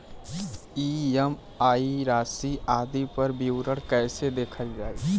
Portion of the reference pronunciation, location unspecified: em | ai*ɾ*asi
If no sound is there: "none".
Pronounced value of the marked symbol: ɾ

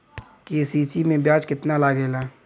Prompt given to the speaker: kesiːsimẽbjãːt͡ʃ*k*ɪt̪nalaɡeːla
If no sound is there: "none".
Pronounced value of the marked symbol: k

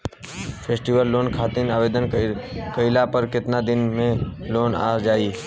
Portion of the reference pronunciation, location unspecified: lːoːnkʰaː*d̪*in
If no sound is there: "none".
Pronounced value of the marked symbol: t̪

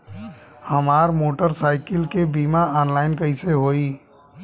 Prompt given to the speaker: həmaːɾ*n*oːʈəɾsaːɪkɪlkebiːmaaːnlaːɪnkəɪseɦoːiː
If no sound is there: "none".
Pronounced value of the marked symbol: m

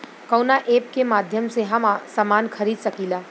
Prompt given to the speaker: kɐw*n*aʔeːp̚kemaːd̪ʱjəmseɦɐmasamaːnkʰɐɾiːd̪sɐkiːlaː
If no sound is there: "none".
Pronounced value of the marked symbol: n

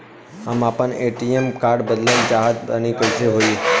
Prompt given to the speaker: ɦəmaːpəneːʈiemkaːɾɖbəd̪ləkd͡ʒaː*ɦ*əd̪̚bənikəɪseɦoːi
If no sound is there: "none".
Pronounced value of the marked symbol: ɦ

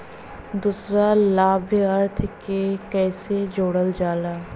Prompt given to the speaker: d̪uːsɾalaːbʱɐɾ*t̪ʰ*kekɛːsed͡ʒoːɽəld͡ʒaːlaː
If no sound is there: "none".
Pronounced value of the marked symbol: t̪ʰ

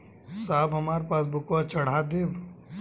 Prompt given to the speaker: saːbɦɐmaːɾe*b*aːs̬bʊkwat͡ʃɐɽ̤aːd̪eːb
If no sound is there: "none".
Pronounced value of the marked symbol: p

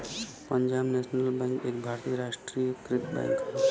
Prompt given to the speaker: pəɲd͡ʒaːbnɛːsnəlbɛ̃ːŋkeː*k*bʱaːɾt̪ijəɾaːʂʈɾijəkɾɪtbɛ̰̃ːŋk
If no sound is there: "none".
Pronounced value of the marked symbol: k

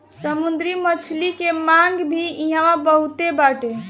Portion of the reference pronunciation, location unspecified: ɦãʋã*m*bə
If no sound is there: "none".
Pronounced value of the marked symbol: none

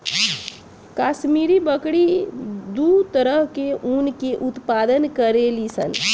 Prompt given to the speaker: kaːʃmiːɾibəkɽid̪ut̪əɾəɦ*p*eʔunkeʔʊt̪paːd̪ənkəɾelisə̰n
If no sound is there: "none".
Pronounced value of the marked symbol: k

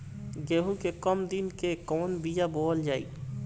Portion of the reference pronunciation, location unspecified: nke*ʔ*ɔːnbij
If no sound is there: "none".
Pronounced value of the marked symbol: k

